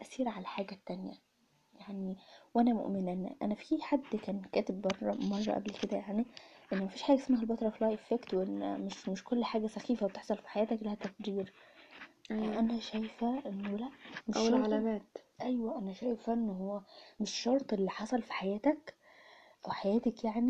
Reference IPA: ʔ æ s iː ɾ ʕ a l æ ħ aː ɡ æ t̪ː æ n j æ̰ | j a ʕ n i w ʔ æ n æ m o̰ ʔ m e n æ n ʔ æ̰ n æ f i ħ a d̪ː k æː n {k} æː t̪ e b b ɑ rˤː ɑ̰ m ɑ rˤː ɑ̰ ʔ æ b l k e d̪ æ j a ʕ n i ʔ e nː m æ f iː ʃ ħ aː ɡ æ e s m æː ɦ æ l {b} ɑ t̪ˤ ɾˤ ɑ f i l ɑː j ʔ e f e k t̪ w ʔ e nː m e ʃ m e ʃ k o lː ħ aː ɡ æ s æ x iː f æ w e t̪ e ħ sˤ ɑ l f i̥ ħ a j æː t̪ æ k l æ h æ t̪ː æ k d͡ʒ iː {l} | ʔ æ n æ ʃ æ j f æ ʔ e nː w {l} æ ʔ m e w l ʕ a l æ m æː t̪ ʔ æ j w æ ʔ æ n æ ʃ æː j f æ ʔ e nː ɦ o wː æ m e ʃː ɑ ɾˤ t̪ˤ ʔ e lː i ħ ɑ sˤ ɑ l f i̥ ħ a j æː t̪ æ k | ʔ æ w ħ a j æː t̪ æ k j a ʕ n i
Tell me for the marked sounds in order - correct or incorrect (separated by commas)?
correct, correct, incorrect, correct